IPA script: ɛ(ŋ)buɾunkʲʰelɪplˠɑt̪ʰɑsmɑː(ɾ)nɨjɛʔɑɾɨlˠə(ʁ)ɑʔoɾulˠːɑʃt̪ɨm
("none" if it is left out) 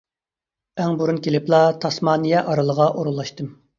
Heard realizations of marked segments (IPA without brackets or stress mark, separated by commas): ŋ, none, ʁ